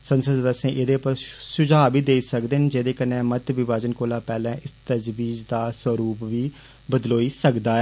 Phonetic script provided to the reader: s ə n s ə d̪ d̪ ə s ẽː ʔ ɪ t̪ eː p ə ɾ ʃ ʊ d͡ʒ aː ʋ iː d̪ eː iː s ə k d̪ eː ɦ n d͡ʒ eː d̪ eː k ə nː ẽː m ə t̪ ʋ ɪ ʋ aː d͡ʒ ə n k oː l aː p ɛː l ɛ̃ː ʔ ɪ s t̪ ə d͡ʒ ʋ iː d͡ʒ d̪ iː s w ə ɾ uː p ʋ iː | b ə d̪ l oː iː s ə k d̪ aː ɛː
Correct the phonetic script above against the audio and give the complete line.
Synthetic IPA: s ə n s ə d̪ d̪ ə s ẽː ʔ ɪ d̪ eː p ə ɾ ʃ ʊ d͡ʒ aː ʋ iː d̪ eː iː s ə k d̪ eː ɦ n d͡ʒ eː d̪ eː k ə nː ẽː m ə t̪ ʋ ɪ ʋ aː d͡ʒ ə n k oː l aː p ɛː l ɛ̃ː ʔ ɪ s t̪ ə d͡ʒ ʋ iː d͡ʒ d̪ aː s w ə ɾ uː p ʋ iː | b ə d̪ l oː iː s ə k d̪ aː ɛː